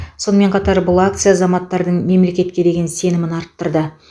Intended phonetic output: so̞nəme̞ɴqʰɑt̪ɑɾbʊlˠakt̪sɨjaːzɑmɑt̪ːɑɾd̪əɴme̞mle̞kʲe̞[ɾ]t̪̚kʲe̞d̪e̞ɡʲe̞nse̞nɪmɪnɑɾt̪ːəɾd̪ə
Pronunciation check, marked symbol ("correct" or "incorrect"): incorrect